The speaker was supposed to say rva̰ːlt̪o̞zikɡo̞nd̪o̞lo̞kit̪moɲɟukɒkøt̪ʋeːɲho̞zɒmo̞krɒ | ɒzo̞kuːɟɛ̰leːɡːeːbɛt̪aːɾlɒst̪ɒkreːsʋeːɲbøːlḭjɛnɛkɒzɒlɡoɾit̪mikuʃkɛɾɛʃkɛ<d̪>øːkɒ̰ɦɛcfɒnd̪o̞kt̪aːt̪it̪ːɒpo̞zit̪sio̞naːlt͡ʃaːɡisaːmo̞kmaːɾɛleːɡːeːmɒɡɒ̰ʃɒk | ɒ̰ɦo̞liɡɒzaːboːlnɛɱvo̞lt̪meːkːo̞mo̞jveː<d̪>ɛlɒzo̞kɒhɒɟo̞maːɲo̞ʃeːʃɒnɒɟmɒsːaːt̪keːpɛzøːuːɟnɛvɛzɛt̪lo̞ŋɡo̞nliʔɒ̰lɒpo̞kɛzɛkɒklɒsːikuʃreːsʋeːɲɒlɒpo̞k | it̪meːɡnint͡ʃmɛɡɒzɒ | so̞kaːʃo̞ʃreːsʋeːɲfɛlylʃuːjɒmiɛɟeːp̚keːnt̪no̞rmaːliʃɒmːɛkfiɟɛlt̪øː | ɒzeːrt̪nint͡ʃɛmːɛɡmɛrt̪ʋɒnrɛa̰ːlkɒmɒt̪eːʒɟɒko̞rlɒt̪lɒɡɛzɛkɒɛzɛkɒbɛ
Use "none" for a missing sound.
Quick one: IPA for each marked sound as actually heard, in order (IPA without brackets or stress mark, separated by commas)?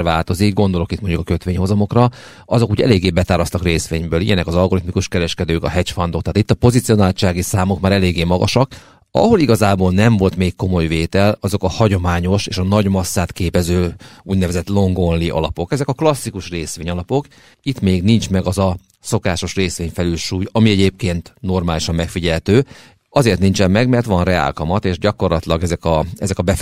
d̪, t̪